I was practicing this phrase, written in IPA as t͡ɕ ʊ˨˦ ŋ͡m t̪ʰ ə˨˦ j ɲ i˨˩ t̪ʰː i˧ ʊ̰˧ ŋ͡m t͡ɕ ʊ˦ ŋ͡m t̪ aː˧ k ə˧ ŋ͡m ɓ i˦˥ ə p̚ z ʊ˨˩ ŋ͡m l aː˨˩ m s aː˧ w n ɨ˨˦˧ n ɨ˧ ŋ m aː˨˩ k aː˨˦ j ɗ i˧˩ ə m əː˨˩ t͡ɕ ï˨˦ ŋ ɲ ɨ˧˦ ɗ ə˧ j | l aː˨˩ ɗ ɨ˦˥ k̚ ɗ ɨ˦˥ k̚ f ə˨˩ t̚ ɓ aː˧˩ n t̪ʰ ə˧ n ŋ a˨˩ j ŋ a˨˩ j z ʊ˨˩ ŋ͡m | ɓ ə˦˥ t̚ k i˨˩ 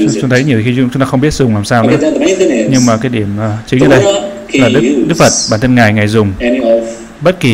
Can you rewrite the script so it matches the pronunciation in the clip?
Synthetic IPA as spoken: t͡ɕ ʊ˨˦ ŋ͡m t̪ʰ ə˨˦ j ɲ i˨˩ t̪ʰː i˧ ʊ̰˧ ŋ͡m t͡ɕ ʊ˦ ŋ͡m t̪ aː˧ x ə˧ ŋ͡m ɓ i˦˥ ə t̚ z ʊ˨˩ ŋ͡m l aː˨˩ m s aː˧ w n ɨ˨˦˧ ɲ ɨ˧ ŋ m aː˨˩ k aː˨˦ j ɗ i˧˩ ə m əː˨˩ t͡ɕ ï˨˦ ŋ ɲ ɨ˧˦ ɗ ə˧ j | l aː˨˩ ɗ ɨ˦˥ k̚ ɗ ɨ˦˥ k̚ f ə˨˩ t̚ ɓ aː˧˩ n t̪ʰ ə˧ n ŋ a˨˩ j ŋ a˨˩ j z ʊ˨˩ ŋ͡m | ɓ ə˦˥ t̚ k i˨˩